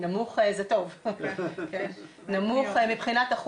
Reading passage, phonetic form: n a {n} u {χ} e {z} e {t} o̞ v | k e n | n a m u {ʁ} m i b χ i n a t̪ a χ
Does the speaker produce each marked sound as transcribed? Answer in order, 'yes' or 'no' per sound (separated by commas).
no, yes, yes, yes, no